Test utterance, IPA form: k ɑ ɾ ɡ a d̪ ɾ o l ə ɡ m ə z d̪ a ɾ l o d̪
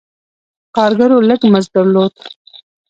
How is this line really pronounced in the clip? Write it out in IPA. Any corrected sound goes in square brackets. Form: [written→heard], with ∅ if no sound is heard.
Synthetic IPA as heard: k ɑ ɾ ɡ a [d̪→∅] ɾ o l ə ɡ m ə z d̪ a ɾ l o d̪